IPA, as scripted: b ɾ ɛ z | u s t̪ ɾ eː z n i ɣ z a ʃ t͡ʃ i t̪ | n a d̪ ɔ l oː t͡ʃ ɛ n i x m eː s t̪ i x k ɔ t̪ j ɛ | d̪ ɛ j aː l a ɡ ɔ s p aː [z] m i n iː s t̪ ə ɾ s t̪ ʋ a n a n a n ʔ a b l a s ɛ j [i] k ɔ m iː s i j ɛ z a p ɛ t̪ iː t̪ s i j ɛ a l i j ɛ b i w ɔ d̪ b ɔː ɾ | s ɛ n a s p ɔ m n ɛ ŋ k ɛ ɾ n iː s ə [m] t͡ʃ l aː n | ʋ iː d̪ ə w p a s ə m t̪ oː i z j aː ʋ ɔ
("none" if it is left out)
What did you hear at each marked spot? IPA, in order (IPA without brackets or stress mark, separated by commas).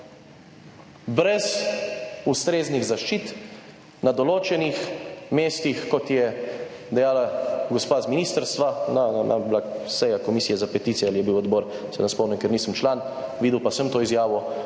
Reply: z, a, m